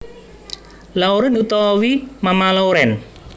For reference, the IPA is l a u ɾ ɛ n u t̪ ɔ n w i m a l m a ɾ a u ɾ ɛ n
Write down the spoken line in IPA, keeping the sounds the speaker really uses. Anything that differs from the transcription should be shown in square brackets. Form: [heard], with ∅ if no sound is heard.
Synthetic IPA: l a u ɾ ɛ n u t̪ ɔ [∅] w i m a [∅] m a [l] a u ɾ ɛ n